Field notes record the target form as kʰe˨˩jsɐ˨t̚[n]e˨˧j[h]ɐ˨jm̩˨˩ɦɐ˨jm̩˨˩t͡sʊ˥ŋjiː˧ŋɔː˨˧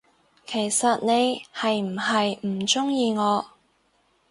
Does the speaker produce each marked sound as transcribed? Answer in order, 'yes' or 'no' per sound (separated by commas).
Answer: yes, yes